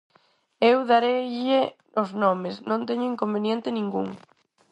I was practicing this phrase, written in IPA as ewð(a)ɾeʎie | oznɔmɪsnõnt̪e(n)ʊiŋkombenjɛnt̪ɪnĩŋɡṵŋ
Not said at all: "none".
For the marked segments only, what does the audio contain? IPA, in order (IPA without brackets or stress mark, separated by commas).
a, ɲ